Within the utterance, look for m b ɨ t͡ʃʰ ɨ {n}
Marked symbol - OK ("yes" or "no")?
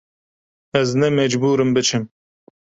no